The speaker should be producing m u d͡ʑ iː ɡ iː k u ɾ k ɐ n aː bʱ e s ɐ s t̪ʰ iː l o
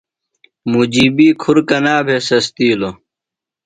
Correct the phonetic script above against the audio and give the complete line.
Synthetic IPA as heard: m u d͡ʑ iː b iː kʰ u ɾ k ɐ n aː bʱ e s ɐ s t̪ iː l o